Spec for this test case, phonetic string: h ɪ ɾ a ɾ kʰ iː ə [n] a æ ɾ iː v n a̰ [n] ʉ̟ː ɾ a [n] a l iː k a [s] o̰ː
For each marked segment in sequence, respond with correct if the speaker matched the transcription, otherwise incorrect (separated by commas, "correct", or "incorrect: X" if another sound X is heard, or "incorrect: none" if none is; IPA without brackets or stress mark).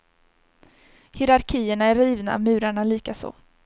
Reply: incorrect: ɳ, incorrect: m, incorrect: ɳ, correct